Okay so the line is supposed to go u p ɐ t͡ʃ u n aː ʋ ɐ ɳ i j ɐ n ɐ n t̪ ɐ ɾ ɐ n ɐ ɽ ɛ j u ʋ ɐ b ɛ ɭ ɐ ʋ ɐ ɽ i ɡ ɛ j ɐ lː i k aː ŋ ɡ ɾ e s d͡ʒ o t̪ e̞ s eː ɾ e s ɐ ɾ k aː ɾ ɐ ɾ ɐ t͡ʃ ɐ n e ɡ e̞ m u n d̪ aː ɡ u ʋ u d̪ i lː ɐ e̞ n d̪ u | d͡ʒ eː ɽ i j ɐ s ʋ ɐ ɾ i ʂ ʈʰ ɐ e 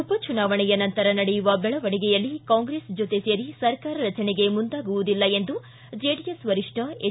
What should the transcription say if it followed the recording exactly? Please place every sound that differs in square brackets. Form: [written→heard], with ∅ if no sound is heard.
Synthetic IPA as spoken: u p ɐ t͡ʃ u n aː ʋ ɐ ɳ [i→ɛ] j ɐ n ɐ n t̪ ɐ ɾ ɐ n ɐ ɽ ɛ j u ʋ ɐ b ɛ ɭ ɐ ʋ ɐ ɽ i ɡ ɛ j ɐ lː i k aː ŋ ɡ ɾ e s d͡ʒ o t̪ e̞ s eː ɾ [e→i] s ɐ ɾ k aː ɾ ɐ ɾ ɐ t͡ʃ ɐ n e ɡ e̞ m u n d̪ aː ɡ u ʋ u d̪ i lː ɐ e̞ n d̪ u | d͡ʒ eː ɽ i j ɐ s ʋ ɐ ɾ i ʂ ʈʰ ɐ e